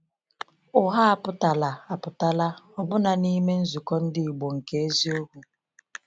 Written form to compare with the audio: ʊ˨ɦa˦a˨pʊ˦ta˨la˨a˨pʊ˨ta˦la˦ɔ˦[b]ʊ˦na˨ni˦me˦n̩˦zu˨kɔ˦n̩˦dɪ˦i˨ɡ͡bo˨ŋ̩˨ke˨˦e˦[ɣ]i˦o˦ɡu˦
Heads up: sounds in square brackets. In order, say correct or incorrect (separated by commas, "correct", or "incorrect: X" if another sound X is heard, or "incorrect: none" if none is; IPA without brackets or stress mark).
correct, incorrect: z